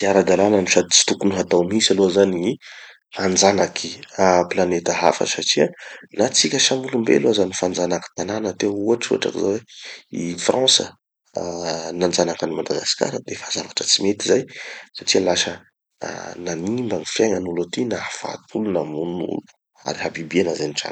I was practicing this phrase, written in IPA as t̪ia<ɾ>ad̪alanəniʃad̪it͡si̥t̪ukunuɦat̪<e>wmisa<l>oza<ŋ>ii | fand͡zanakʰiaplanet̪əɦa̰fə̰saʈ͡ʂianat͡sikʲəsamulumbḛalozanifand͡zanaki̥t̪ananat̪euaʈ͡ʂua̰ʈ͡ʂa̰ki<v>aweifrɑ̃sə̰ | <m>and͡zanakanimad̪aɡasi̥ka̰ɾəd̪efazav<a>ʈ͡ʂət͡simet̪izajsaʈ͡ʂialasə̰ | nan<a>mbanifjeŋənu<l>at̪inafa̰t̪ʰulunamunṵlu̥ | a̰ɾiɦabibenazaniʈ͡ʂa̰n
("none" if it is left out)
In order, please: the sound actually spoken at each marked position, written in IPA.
ɾ, a, l, n, z, n, a, i, l

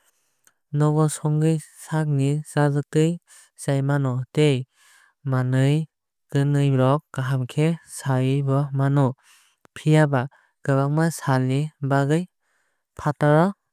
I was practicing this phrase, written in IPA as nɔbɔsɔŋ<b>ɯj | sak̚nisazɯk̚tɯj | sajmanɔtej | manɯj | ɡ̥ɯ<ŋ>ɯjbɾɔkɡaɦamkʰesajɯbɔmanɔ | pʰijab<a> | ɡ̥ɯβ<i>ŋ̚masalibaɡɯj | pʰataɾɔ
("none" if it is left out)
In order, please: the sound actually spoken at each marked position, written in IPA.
ɡ, n, a, a

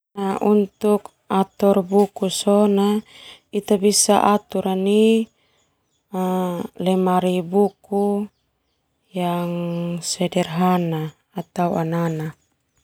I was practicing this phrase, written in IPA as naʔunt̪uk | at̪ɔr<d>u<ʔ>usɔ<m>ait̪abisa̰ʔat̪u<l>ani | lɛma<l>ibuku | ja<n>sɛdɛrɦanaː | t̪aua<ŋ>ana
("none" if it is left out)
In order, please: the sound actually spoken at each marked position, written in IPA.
b, k, n, ɾ, ɾ, ŋ, n

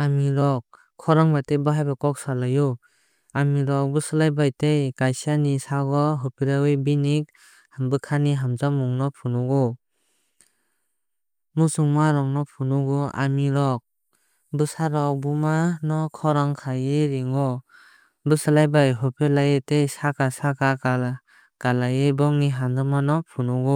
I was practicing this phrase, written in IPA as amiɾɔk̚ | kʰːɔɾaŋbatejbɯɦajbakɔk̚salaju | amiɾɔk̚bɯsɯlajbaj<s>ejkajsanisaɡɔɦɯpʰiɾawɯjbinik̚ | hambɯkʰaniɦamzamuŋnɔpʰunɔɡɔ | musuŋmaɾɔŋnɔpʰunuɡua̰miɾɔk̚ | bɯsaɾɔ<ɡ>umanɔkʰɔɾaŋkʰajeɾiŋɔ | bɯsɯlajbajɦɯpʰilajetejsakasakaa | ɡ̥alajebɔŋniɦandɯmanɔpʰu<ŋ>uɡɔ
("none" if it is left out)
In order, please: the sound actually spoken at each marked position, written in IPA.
t, b, n

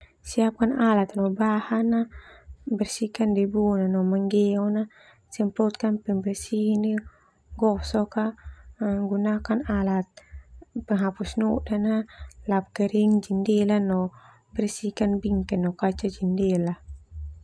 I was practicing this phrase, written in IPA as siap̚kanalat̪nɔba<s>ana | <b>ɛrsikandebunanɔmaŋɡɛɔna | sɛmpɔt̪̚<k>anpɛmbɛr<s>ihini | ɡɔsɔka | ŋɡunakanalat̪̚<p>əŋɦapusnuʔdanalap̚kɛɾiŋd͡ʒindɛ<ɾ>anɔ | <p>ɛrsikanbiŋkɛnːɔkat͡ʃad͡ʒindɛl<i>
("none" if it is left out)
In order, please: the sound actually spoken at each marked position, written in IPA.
h, b, k, s, p, l, b, a

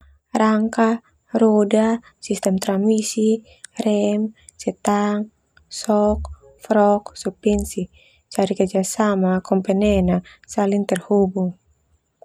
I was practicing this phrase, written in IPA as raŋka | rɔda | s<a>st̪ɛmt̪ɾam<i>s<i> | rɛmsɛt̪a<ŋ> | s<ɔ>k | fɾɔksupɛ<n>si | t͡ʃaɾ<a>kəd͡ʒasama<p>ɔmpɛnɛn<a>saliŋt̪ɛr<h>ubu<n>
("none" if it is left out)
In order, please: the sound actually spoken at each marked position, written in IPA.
i, i, i, ŋ, ɔ, n, i, k, a, h, ŋ

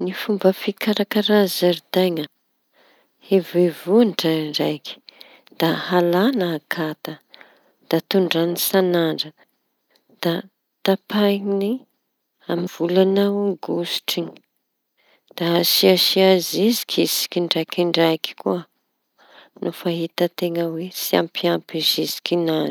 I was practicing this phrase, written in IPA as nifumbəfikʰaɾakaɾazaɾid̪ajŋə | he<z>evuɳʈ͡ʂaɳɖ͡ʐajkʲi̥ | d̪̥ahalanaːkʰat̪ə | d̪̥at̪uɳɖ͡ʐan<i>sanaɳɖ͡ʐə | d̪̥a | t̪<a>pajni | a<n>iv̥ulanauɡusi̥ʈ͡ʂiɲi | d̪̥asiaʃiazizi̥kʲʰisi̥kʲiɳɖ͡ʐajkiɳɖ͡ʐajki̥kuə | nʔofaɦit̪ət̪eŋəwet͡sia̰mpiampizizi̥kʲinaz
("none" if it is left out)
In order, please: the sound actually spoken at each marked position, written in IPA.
v, i, a, m

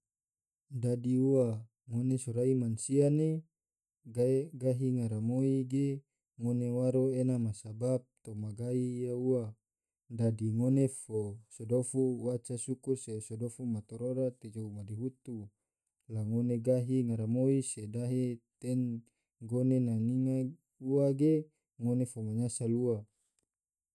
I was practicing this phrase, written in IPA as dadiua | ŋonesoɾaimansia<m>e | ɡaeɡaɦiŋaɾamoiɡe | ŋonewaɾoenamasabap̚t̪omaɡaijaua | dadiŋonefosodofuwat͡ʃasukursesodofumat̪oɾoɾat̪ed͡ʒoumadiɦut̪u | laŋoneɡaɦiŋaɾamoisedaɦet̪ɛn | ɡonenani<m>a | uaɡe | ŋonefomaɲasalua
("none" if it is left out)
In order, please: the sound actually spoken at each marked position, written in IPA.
n, ŋ

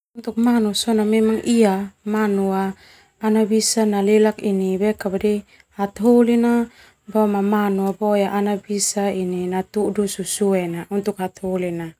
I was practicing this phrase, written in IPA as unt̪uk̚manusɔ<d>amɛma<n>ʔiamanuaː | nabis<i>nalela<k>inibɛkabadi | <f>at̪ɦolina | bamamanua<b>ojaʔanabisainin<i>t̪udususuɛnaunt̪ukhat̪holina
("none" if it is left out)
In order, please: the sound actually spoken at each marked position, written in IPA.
n, ŋ, a, k, h, b, a

